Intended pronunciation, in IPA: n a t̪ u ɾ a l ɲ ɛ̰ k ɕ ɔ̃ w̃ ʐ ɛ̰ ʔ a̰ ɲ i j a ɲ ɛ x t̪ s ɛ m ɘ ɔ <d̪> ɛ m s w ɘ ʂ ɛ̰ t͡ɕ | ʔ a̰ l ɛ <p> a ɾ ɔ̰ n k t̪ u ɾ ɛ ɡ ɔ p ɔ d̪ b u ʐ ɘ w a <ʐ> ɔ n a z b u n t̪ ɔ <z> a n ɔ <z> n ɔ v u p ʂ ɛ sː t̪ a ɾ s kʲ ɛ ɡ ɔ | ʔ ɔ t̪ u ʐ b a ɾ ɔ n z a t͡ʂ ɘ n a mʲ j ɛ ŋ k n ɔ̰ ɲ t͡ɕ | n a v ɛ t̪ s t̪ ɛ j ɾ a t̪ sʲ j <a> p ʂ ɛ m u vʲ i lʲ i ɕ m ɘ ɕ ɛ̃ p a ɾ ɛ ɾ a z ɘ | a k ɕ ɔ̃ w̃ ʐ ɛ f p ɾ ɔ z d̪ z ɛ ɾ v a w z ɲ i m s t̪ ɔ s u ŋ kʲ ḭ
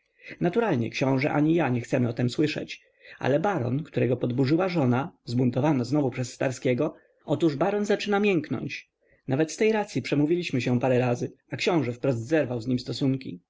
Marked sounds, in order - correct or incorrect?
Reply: incorrect: t̪, incorrect: b, correct, incorrect: v, correct, incorrect: i

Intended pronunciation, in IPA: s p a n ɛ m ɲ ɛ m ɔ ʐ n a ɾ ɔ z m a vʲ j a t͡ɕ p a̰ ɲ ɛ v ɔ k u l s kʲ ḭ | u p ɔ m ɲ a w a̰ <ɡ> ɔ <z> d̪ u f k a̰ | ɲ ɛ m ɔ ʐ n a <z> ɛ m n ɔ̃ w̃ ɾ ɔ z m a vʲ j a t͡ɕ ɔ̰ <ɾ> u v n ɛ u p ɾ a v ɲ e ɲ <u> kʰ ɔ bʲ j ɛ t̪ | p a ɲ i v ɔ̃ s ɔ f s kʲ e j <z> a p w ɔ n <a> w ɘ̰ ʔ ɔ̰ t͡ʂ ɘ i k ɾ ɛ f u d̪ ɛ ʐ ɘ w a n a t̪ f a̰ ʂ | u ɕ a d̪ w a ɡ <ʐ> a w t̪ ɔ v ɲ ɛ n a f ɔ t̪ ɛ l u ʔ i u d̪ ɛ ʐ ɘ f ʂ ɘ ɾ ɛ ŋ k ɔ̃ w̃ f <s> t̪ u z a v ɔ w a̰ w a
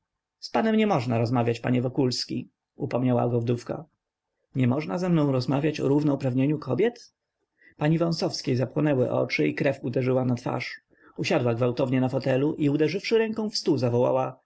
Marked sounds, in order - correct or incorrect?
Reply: correct, incorrect: v, correct, correct, correct, correct, incorrect: ɛ, incorrect: v, correct

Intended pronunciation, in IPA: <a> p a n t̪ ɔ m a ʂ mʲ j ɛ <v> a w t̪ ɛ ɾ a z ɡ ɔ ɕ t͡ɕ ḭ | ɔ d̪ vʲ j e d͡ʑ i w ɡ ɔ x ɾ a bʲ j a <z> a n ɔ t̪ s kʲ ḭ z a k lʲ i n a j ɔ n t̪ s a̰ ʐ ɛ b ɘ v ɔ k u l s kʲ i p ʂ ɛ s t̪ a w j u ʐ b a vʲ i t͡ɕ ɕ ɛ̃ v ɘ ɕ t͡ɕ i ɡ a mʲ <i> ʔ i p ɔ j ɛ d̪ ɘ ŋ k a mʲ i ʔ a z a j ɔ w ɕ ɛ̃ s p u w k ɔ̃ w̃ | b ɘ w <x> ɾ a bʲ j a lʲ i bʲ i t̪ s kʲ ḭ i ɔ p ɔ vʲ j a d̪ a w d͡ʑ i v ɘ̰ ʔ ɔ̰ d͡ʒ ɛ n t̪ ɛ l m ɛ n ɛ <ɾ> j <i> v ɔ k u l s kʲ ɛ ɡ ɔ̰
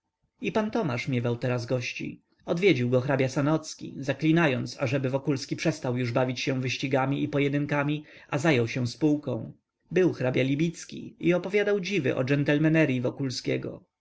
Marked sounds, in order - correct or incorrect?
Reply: incorrect: i, correct, incorrect: s, correct, correct, correct, correct

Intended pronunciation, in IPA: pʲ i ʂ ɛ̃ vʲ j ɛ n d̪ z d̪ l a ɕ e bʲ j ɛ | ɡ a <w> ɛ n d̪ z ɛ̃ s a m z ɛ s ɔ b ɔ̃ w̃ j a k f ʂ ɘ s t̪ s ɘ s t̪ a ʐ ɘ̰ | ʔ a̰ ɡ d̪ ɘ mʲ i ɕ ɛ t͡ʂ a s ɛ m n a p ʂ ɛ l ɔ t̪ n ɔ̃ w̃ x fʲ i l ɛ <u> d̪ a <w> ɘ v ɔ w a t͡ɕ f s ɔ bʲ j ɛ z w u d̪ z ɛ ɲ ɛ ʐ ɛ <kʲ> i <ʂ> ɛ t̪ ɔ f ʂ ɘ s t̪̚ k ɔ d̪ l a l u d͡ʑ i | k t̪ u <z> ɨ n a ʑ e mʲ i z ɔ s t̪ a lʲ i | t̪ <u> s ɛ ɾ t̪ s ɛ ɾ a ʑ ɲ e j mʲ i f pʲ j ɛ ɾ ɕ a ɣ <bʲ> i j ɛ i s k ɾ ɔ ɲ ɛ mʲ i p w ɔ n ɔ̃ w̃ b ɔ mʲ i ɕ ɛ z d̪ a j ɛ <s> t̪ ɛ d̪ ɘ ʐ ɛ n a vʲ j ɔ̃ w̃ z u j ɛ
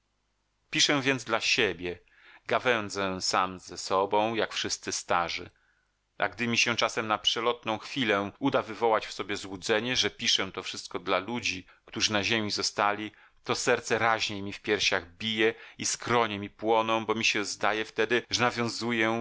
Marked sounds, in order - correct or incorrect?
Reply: incorrect: v, correct, incorrect: v, incorrect: pʲ, correct, incorrect: ʐ, incorrect: ɔ, correct, incorrect: f

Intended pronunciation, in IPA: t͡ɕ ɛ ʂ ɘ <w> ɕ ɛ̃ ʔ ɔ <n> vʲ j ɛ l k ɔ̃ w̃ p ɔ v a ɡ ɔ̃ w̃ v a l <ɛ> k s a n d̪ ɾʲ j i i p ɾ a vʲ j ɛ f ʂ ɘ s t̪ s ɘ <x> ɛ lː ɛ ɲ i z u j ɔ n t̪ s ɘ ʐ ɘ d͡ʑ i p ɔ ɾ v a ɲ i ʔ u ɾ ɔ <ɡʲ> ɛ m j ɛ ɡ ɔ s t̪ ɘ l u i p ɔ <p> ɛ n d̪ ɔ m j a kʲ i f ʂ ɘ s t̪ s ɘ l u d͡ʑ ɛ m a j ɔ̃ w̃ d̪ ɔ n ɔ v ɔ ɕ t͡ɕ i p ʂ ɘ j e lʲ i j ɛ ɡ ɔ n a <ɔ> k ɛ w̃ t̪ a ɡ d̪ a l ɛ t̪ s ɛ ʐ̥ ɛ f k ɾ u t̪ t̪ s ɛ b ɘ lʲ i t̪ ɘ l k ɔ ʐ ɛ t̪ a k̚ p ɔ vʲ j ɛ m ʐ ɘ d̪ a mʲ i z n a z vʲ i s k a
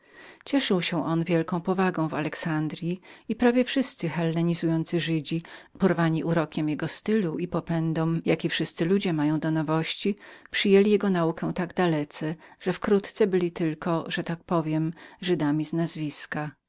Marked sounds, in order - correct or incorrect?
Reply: correct, correct, correct, correct, incorrect: kʲ, correct, incorrect: u

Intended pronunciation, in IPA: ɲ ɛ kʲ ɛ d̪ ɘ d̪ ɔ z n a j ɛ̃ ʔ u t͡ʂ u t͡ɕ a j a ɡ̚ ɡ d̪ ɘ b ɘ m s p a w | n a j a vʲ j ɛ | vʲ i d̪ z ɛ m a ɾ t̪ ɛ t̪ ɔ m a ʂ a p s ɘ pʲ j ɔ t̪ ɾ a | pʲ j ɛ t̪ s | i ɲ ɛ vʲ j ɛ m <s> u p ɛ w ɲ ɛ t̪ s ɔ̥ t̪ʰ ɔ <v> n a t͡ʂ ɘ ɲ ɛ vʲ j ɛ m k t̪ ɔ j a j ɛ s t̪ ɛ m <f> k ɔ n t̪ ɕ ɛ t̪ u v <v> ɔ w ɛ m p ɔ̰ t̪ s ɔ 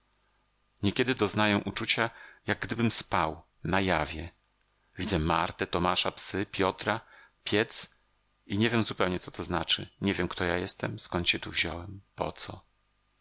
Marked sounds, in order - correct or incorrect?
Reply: incorrect: z, incorrect: z, incorrect: s, incorrect: ʑ

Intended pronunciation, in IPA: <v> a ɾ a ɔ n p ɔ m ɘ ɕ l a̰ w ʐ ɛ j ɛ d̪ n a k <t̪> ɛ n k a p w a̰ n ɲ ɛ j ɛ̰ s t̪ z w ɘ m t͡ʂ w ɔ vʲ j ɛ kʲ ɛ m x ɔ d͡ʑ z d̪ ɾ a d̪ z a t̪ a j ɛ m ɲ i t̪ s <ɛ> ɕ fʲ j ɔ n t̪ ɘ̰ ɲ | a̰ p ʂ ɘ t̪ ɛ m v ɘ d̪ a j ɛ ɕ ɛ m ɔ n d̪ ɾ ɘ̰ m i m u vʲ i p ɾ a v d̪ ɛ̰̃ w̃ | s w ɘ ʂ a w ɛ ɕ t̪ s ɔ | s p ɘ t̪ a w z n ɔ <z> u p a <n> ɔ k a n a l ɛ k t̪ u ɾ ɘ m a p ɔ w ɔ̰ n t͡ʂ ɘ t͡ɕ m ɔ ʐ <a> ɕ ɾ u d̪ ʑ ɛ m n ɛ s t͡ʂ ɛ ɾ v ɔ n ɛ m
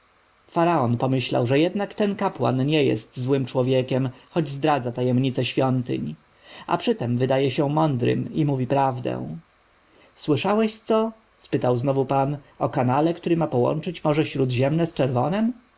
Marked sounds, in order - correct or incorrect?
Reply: incorrect: f, correct, correct, incorrect: v, correct, incorrect: ɛ

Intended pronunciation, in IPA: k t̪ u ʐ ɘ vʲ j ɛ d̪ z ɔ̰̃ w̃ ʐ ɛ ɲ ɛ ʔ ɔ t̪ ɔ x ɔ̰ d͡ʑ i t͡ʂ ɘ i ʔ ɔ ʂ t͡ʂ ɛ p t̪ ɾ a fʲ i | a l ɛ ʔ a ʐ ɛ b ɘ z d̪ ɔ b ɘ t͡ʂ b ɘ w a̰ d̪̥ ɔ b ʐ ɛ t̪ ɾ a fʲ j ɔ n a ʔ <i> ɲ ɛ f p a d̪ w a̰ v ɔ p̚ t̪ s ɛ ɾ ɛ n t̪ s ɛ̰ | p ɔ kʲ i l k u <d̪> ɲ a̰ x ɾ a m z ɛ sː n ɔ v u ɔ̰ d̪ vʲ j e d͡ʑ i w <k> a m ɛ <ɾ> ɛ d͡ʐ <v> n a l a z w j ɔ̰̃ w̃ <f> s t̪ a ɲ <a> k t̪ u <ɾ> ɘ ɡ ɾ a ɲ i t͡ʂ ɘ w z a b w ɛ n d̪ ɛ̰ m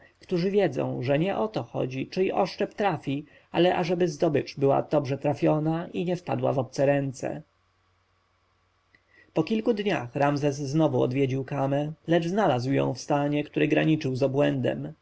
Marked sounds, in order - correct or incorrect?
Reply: correct, correct, correct, incorrect: l, incorrect: z, correct, incorrect: ɛ, correct

